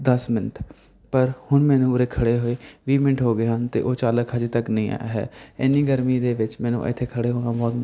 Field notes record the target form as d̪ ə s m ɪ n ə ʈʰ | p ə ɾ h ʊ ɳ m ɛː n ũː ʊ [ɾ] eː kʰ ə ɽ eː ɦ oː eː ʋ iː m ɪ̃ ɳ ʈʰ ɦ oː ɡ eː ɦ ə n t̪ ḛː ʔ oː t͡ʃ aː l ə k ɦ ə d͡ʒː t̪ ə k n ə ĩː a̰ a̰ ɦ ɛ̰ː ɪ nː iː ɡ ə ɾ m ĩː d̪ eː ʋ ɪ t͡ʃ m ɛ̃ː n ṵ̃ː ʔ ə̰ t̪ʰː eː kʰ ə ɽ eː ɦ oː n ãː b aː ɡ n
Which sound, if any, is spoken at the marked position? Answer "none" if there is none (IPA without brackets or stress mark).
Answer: ɾ